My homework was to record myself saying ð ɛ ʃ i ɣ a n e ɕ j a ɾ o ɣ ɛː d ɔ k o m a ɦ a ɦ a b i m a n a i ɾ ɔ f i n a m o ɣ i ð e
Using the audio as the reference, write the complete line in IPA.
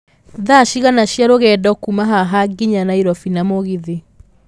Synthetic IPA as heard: ð a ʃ i ɣ a n a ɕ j a ɾ o ɣ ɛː d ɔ k u m a ɦ a ɦ a ɡ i ɲ a n a i ɾ ɔ f i n a m o ɣ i ð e